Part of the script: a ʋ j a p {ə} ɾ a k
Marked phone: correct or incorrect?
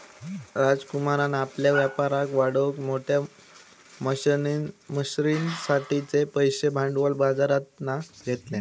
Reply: incorrect